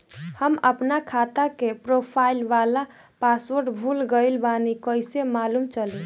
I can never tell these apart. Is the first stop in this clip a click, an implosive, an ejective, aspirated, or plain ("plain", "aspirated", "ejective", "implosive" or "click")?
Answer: plain